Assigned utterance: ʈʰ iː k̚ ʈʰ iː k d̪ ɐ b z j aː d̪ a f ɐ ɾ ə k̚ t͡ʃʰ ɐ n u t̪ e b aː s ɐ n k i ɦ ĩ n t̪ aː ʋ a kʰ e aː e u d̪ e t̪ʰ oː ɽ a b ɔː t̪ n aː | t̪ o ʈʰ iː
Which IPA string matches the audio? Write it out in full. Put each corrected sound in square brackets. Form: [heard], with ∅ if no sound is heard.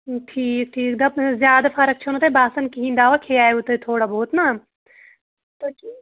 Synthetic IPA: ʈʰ iː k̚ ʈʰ iː k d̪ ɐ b z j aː d̪ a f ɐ ɾ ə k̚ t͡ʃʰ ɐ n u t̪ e b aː s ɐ n k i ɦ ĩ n [d̪] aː ʋ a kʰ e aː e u [t̪] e t̪ʰ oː ɽ a b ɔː t̪ n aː | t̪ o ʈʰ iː